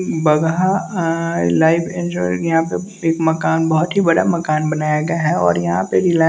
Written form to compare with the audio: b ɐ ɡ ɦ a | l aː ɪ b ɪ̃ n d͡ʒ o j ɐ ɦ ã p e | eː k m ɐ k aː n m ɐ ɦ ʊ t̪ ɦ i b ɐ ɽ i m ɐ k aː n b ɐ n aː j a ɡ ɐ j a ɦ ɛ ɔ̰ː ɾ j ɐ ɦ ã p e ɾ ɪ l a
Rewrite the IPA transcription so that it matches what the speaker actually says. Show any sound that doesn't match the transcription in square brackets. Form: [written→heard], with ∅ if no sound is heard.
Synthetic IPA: b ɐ ɡ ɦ a | l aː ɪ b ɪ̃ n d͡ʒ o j ɐ ɦ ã p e | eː k m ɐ k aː n [m→b] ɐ ɦ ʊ t̪ ɦ i b ɐ ɽ [i→a] m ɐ k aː n b ɐ n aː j a ɡ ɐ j a ɦ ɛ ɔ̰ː ɾ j ɐ ɦ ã p e ɾ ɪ l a

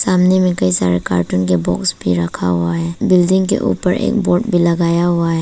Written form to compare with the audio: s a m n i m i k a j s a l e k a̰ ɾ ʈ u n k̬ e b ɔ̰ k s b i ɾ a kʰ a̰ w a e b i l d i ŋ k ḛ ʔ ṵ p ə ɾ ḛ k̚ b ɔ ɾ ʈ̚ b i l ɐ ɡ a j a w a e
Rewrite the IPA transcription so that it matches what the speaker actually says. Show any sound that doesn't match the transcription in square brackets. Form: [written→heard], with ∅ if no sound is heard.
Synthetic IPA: s a m n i m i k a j s a [l→ɾ] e k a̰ ɾ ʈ u n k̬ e b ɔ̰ k s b i ɾ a kʰ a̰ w a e b i l d i ŋ k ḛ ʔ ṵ p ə ɾ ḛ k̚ b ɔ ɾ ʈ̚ b i l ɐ ɡ a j a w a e

